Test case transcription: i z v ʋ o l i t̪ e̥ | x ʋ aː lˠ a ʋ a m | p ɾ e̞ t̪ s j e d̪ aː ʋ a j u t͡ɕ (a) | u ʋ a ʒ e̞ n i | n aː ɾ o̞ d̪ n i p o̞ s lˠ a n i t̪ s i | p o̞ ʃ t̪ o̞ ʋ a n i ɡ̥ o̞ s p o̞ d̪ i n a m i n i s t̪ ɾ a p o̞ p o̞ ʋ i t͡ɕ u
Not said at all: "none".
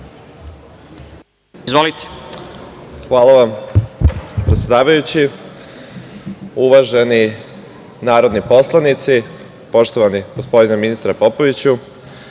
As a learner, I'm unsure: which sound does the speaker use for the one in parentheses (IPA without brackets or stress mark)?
i